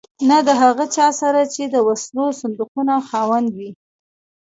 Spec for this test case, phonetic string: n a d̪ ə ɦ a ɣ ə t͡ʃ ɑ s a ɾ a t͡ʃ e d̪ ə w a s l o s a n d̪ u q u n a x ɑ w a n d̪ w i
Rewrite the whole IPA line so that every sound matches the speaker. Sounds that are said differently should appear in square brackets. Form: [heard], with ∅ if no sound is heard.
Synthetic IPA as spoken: n a d̪ ə ɦ a ɣ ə t͡ʃ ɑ s a ɾ a t͡ʃ e d̪ ə w a s l o s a n d̪ u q u n a x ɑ w a n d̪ w i